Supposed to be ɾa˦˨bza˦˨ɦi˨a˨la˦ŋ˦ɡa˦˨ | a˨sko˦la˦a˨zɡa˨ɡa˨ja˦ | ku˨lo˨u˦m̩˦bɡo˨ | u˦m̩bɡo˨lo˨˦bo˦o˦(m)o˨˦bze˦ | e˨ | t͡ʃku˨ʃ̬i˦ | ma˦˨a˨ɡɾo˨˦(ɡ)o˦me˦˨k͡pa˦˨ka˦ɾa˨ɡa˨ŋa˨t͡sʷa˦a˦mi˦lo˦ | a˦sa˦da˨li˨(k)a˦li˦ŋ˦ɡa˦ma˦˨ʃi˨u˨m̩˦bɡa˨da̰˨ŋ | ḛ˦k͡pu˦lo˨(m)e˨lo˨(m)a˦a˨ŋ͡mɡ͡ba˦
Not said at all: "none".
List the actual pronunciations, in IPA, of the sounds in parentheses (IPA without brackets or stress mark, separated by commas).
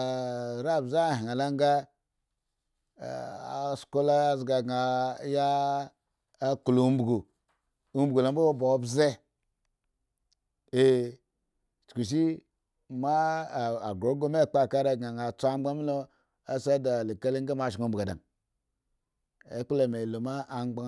b, ɡ, k, m, m